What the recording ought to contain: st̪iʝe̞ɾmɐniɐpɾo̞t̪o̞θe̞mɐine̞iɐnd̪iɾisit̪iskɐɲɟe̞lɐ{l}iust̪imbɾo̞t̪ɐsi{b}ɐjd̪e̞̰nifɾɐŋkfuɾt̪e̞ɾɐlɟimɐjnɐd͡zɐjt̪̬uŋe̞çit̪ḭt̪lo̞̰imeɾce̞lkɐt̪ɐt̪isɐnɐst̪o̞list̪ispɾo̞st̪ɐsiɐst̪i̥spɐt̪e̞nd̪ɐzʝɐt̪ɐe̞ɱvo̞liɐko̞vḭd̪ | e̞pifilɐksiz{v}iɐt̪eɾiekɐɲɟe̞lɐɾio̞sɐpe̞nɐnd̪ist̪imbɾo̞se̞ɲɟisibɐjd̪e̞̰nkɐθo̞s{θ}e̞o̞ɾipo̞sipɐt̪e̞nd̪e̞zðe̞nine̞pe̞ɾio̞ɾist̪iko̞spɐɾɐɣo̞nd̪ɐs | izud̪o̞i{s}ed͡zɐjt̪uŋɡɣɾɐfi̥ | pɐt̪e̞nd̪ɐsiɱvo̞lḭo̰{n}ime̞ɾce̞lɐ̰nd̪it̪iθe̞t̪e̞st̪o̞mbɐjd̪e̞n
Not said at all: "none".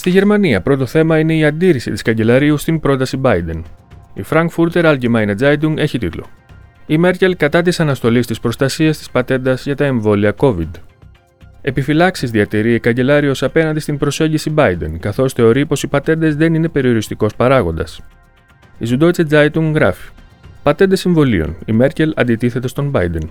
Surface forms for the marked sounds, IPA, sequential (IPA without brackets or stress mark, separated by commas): ɾ, b, ð, θ, t͡s, n